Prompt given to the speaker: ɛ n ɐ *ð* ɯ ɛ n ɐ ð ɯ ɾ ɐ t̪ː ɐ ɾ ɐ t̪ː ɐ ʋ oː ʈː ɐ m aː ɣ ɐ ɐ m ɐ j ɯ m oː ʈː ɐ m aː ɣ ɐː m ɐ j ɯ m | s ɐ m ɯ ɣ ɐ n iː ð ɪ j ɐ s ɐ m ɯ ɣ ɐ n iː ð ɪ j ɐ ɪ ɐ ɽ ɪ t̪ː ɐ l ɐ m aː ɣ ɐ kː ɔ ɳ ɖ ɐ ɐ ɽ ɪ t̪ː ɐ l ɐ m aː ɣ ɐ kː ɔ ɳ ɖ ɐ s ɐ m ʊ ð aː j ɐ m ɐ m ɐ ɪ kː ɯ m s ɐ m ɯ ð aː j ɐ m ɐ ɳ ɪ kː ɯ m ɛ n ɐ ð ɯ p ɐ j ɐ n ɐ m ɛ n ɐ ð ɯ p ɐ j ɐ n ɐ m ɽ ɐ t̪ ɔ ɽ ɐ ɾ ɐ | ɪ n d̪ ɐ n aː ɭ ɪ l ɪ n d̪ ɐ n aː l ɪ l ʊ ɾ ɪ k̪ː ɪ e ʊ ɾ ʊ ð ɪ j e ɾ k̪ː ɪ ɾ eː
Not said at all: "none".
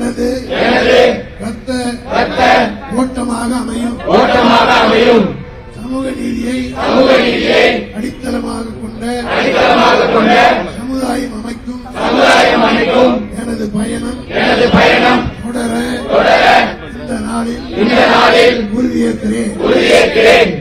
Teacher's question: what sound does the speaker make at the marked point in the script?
ð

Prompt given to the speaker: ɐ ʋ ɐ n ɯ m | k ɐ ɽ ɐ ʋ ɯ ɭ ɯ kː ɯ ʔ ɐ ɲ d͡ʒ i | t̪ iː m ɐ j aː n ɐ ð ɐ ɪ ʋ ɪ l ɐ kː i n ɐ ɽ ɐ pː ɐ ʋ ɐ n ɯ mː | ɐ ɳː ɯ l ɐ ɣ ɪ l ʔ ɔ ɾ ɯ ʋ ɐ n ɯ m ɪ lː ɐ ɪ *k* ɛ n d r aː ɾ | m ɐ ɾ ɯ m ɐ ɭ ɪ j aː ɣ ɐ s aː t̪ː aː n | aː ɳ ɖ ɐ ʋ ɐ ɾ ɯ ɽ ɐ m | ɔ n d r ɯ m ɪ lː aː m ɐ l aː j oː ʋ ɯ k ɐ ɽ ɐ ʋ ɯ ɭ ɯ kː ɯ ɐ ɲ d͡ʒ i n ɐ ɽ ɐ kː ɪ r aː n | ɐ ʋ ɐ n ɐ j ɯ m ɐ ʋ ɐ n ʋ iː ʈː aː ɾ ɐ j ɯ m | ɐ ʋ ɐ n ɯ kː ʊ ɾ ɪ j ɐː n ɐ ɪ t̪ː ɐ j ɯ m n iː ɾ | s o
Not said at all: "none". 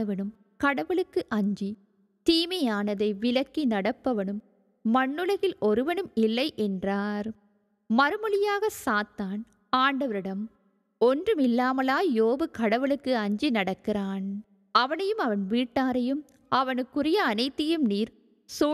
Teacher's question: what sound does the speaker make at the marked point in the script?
ʔ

